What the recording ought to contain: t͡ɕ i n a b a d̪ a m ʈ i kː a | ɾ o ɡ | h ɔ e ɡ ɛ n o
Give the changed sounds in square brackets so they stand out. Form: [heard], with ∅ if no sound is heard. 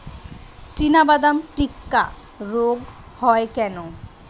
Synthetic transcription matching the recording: t͡ɕ i n a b a d̪ a m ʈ i kː a | ɾ o ɡ | h ɔ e [k] ɛ n o